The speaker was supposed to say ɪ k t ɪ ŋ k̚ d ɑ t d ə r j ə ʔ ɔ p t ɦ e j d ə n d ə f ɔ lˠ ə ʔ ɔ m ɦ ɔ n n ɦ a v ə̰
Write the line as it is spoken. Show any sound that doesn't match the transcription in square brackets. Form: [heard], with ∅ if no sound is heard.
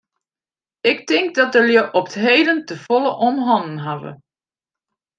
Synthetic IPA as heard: ɪ k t ɪ ŋ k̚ d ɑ t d ə [l] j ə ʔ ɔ p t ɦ e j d ə n [t] ə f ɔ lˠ ə ʔ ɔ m ɦ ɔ n n ɦ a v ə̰